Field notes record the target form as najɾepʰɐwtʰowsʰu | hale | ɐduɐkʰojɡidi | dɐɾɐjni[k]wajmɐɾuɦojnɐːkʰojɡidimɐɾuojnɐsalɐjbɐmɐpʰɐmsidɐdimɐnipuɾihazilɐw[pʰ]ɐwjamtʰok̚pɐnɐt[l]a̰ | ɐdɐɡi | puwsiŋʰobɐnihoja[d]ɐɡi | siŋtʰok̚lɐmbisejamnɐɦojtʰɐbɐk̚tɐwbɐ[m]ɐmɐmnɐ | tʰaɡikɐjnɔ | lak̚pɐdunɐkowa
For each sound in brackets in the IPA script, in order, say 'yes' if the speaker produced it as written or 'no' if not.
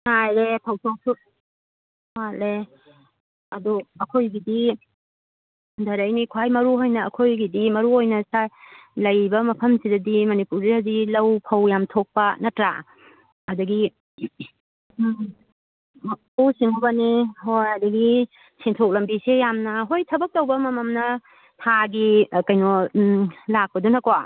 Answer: no, yes, no, yes, yes

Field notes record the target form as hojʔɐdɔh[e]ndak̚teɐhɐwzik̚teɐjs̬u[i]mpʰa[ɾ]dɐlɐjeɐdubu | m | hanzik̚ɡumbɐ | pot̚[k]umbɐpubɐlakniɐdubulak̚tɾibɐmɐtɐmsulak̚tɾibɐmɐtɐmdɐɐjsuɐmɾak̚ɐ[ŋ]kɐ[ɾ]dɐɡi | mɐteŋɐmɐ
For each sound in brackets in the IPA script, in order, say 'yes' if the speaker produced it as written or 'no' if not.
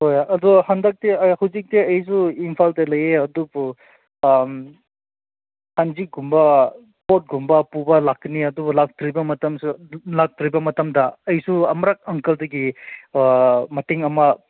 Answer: no, yes, no, no, yes, no

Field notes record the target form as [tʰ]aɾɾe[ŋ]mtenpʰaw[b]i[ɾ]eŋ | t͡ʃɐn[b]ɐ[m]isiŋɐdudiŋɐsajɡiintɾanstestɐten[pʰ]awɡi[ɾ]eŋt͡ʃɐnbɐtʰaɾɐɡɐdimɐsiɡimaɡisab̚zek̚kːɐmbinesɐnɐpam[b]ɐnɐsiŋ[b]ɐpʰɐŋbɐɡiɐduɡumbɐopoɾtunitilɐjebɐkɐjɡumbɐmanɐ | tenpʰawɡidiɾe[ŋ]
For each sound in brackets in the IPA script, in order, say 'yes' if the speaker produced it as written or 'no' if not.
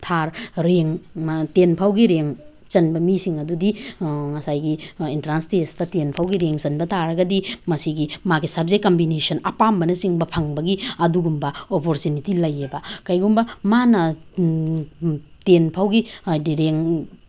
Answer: yes, yes, no, yes, yes, yes, yes, yes, yes, yes, yes

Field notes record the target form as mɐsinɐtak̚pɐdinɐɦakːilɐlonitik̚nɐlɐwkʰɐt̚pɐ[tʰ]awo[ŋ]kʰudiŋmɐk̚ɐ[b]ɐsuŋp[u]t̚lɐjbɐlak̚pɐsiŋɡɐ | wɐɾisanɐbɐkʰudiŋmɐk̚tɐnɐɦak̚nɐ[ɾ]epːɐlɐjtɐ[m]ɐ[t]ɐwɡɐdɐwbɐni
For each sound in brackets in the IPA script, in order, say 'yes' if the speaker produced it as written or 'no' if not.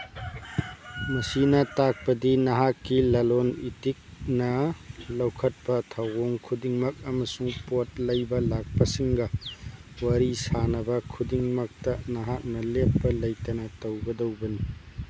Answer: yes, yes, no, no, no, no, yes

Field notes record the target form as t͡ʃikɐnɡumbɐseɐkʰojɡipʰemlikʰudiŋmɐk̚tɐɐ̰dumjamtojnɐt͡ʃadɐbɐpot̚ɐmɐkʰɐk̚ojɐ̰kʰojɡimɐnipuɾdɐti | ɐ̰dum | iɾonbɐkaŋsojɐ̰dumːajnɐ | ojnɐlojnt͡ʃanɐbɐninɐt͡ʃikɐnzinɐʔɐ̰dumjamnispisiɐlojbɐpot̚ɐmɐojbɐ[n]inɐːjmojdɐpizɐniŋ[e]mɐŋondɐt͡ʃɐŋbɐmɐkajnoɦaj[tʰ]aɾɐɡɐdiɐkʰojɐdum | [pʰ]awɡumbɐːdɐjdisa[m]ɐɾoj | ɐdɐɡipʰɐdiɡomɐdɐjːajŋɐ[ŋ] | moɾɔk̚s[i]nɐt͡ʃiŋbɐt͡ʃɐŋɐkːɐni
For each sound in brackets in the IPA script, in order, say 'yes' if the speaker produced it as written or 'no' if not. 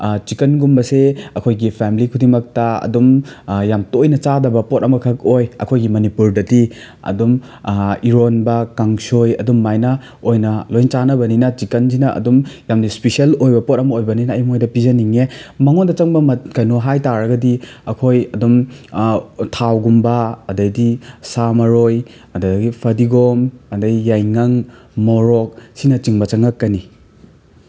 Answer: yes, yes, no, no, yes, yes, yes

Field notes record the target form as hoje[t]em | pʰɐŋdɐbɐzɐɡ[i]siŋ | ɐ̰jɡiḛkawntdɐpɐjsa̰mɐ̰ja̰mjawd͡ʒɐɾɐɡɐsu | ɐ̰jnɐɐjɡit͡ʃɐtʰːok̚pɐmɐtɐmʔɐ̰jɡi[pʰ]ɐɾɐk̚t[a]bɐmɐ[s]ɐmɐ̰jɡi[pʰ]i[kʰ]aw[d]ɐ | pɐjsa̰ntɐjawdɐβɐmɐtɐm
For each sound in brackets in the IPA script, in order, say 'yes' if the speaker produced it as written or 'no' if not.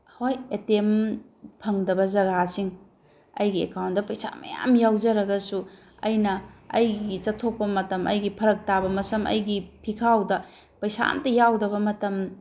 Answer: yes, no, yes, yes, yes, yes, yes, yes

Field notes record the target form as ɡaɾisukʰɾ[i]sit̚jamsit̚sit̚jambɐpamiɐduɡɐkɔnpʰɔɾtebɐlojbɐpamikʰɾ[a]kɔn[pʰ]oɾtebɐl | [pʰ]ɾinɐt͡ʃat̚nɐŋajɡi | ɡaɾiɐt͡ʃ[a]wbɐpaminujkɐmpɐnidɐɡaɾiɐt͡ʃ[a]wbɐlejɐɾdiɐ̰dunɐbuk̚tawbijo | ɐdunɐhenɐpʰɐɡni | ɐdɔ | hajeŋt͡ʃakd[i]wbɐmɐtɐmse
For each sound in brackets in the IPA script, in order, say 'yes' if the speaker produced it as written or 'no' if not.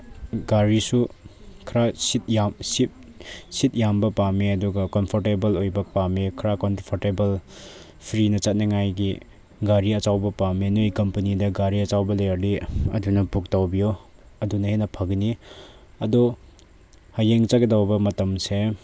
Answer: no, yes, yes, yes, yes, yes, no

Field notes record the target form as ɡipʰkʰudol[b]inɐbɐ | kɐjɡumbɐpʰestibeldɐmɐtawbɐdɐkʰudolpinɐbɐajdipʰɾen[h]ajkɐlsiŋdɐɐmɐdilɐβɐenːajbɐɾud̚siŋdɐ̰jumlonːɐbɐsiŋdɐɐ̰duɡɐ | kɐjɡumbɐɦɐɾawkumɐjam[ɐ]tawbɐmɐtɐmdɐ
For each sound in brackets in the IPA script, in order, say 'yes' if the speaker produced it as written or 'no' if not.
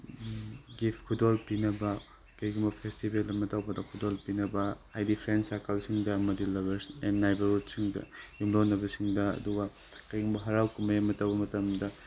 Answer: no, no, yes

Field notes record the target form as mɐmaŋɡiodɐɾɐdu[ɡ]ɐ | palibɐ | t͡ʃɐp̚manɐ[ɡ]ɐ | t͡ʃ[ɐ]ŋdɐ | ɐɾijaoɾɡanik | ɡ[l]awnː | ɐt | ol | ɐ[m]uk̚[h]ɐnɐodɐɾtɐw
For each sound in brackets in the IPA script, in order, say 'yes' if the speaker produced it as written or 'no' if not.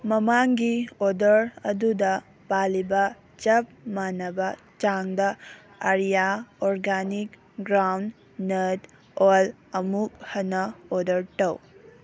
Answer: no, no, no, no, yes, yes

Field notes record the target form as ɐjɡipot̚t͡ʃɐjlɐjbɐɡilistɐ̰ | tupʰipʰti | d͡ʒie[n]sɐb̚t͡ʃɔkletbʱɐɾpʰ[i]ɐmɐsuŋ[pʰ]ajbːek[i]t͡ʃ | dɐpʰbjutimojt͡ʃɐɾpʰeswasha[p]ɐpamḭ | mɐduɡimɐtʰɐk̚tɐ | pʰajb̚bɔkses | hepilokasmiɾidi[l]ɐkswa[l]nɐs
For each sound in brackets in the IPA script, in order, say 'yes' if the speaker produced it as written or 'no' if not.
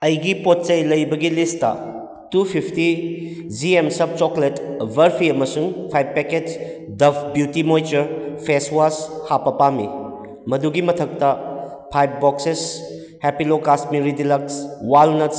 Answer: no, yes, yes, no, yes, yes, yes

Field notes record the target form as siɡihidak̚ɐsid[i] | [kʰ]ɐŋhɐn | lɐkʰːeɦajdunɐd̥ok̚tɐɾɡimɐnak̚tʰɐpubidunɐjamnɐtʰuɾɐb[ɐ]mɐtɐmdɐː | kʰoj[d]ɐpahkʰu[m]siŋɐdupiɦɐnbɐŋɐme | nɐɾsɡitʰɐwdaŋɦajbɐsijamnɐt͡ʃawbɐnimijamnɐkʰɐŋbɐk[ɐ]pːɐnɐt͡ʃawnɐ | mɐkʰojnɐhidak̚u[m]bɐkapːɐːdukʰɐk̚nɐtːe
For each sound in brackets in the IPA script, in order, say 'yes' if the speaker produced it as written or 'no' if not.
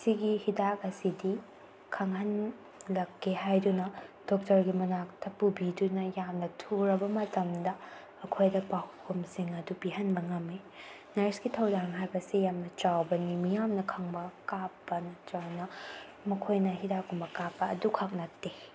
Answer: yes, yes, yes, yes, yes, no, yes

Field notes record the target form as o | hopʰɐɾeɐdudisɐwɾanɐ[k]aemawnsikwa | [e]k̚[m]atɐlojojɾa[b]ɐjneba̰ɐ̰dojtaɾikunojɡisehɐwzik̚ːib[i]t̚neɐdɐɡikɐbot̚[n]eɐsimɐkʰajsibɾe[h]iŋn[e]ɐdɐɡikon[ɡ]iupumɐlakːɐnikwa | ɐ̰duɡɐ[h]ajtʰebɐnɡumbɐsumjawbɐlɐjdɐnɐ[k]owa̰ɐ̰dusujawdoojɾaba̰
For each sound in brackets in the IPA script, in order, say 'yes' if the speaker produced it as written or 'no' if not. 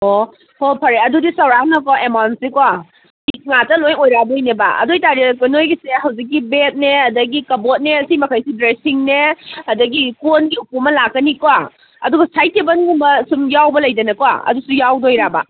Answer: yes, no, no, yes, no, yes, no, yes, yes, no, yes

